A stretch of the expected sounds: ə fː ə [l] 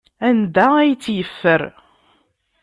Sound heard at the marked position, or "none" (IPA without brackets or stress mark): ɾ